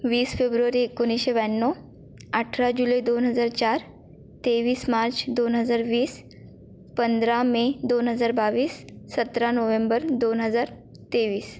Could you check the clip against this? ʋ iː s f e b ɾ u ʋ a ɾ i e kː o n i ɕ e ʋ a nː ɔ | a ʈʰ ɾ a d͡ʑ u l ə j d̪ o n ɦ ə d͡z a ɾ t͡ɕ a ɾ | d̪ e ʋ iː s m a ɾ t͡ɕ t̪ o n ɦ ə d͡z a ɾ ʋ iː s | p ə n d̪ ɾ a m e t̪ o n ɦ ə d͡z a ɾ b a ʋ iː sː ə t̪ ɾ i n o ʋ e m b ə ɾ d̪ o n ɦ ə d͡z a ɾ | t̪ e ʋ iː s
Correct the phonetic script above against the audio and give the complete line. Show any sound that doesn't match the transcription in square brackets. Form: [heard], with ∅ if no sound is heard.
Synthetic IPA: ʋ iː s f e b ɾ u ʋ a ɾ i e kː o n i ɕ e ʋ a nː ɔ | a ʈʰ ɾ a d͡ʑ u l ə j d̪ o n ɦ ə d͡z a ɾ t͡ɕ a ɾ | [t̪] e ʋ iː s m a ɾ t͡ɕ [d̪] o n ɦ ə d͡z a ɾ ʋ iː s | p ə n d̪ ɾ a m e [d̪] o n ɦ ə d͡z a ɾ b a ʋ iː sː ə t̪ ɾ [a] n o ʋ e m b ə ɾ d̪ o n ɦ ə d͡z a ɾ | t̪ e ʋ iː s